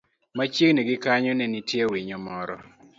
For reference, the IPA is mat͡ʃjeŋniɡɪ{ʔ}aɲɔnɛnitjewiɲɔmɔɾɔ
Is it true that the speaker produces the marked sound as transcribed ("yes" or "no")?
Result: no